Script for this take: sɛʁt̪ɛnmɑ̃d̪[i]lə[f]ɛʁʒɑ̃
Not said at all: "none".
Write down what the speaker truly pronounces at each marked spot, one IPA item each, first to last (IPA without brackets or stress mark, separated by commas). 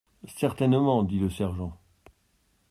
i, s